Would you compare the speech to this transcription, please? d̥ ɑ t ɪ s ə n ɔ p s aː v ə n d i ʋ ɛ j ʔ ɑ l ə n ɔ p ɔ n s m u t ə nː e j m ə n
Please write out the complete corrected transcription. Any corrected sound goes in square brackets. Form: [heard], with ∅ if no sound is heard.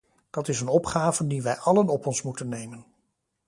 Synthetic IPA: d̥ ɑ t ɪ s ə n ɔ p [χ] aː v ə n d i ʋ ɛ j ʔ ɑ l ə n ɔ p ɔ n s m u t ə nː e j m ə n

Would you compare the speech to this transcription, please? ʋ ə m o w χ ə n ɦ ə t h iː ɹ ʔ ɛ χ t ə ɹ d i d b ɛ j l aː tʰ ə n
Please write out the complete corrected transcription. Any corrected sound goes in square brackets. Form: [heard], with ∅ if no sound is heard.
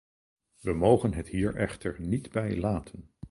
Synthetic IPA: ʋ ə m o w χ ə n ɦ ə t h iː ɹ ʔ ɛ χ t ə ɹ [n] i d b ɛ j l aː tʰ ə n

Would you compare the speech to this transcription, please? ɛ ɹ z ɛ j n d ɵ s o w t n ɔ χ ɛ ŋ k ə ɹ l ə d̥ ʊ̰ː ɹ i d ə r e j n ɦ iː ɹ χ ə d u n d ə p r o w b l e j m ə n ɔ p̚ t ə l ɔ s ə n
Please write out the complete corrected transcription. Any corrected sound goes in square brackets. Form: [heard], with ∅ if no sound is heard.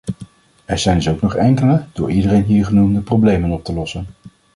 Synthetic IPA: ɛ ɹ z ɛ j n d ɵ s o w [k] n ɔ χ ɛ ŋ k ə [∅] l ə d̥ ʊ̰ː ɹ i d ə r e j n ɦ iː ɹ χ ə [n] u [m] d ə p r o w b l e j m ə n ɔ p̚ t ə l ɔ s ə n

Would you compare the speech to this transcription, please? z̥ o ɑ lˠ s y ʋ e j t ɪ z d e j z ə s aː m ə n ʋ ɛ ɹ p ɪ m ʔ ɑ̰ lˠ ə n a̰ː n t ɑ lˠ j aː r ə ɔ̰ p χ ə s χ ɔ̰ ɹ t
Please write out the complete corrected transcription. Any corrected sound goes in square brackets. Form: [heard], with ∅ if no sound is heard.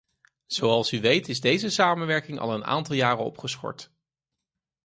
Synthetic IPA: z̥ o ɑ lˠ s y ʋ e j t ɪ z d e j z ə s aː m ə n ʋ ɛ ɹ [k] ɪ [ŋ] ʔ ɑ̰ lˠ ə n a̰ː n t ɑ lˠ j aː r ə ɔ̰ p χ ə s χ ɔ̰ ɹ t

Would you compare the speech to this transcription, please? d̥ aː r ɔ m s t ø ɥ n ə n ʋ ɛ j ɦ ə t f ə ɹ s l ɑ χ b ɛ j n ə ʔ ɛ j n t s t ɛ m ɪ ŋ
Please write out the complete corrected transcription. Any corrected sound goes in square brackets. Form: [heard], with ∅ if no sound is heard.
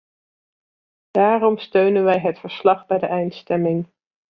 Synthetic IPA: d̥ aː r ɔ m s t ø ɥ n ə n ʋ ɛ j ɦ ə t f ə ɹ s l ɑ χ b ɛ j [d] ə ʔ ɛ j n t s t ɛ m ɪ ŋ

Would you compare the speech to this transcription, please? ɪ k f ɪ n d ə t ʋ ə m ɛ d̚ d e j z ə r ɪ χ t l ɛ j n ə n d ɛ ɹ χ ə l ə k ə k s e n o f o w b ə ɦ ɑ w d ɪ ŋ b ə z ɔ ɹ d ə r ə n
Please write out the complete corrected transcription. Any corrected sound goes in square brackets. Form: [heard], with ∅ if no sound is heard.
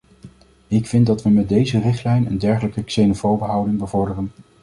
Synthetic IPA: ɪ k f ɪ n d [ɑ] t ʋ ə m ɛ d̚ d e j z ə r ɪ χ t l ɛ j n ə n d ɛ ɹ χ ə l ə k ə k s e n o f o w b ə ɦ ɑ w d ɪ ŋ b ə [v] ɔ ɹ d ə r ə n

